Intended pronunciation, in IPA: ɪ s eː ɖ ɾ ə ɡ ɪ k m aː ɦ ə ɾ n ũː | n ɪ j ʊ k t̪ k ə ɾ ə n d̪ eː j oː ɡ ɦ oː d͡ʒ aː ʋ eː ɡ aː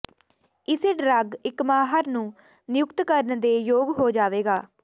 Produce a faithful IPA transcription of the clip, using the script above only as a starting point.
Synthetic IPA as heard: ɪ s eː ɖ ɾ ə ɡ ɪ k m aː ɦ ə ɾ n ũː | n ɪ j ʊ k t̪ k ə ɾ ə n d̪ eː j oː ɡ ɦ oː d͡ʒ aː ʋ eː ɡ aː